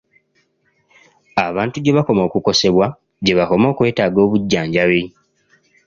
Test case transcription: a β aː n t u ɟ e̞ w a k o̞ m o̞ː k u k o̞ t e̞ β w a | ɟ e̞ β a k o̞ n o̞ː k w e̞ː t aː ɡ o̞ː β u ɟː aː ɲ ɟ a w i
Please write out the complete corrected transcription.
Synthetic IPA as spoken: a β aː n t u ɟ e̞ β a k o̞ m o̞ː k u k o̞ s e̞ β w a | ɟ e̞ β a k o̞ m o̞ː k w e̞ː t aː ɡ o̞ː β u ɟː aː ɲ ɟ a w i